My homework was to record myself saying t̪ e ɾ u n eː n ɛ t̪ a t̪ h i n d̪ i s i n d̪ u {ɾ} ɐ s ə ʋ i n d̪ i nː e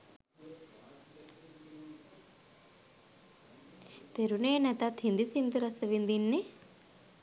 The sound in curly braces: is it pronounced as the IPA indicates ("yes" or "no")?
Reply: yes